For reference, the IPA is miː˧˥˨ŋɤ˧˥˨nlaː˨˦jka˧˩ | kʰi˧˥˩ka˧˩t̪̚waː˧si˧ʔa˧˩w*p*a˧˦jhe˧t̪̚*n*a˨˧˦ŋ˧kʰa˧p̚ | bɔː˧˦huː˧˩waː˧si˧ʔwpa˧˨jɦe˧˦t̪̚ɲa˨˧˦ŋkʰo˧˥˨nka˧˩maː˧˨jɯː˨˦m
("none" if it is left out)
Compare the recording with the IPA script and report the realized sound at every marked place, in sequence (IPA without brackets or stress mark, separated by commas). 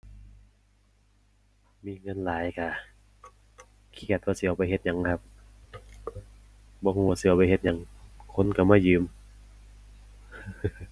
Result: p, ɲ